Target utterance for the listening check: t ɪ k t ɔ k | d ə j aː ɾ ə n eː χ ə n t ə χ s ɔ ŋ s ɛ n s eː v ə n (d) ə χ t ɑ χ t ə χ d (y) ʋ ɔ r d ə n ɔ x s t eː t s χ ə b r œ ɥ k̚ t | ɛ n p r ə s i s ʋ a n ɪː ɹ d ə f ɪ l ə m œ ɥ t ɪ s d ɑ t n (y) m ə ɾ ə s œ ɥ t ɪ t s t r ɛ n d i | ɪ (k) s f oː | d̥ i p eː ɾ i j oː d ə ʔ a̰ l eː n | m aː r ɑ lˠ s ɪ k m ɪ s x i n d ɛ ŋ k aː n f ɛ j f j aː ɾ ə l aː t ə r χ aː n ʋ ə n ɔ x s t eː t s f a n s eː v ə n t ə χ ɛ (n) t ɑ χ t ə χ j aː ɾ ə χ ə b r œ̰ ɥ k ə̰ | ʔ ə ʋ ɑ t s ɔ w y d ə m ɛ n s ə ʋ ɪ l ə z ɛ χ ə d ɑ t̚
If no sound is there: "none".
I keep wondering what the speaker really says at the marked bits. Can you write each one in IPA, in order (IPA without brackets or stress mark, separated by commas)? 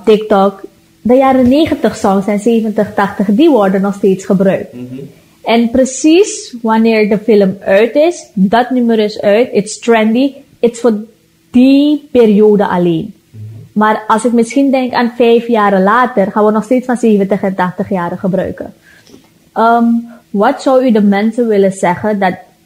t, i, y, t, n